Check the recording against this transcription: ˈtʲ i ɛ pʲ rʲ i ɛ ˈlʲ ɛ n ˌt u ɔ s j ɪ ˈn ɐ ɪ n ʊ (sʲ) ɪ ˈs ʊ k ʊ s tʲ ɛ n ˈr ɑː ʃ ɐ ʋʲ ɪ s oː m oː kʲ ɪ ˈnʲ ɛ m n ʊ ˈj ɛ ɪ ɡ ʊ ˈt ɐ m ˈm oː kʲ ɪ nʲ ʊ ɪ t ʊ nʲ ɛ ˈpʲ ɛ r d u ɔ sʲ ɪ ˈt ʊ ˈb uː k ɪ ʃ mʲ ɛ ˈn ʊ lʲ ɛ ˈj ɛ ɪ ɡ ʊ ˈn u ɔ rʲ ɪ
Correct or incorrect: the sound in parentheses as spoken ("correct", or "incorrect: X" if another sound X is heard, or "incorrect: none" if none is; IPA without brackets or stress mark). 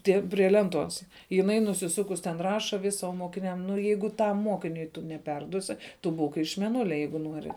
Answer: correct